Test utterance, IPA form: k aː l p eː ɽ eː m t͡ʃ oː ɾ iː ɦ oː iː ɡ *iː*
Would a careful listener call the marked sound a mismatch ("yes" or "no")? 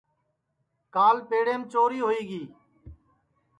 no